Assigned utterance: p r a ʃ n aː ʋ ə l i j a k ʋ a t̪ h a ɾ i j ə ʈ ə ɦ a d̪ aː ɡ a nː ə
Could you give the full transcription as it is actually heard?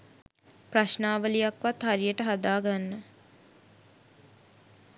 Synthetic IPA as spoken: p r a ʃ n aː ʋ ə l i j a k ʋ a t̪ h a ɾ i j ə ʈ ə ɦ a d̪ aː ɡ a nː ə